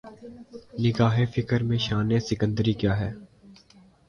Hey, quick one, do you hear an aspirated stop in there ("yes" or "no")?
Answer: no